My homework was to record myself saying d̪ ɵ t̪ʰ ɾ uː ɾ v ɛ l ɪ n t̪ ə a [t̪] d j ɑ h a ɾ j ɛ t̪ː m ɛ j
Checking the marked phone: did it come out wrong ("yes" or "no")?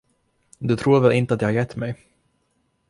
no